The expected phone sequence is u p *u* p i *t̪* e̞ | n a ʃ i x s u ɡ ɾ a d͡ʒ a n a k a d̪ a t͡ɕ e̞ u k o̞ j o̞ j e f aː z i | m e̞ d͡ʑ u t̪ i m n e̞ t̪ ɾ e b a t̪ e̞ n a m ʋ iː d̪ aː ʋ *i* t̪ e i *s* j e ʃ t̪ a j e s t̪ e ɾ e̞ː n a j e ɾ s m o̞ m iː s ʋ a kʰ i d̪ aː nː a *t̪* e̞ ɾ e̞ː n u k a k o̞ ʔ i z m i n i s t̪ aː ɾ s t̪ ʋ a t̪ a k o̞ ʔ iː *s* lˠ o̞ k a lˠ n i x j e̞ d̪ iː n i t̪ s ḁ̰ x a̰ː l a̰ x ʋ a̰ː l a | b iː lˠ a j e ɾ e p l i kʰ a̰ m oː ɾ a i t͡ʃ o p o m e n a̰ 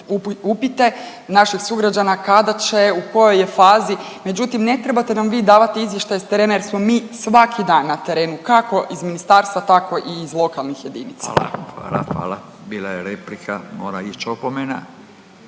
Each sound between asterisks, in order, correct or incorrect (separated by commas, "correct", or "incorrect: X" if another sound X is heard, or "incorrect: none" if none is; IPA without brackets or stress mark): correct, correct, incorrect: a, incorrect: z, correct, incorrect: z